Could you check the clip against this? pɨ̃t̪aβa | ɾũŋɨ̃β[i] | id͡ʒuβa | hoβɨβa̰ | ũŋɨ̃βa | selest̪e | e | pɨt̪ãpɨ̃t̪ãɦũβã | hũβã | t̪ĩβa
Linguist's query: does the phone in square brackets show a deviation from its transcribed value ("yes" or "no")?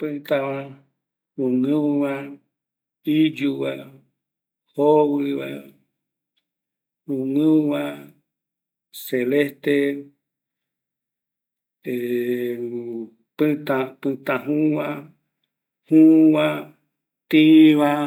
yes